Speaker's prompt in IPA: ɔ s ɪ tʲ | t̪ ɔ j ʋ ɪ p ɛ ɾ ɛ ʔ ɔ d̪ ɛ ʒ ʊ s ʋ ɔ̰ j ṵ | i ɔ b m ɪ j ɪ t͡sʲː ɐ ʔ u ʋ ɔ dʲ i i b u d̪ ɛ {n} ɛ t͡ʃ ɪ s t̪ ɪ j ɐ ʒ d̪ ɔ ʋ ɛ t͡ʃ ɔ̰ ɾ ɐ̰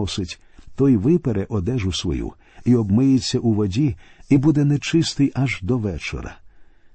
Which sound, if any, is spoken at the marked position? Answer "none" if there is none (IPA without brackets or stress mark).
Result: n